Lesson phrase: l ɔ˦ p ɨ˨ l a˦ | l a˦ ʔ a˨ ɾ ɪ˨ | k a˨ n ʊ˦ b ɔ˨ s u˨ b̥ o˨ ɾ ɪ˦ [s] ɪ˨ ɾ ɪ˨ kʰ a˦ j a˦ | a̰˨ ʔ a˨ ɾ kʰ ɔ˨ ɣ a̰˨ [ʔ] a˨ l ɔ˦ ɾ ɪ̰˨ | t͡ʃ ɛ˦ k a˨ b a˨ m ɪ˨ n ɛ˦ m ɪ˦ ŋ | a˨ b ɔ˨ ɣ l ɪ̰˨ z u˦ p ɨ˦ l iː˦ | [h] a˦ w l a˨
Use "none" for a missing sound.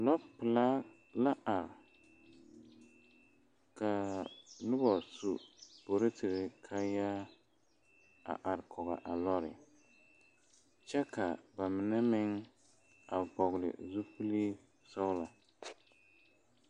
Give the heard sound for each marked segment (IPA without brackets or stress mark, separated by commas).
t, ʔ, s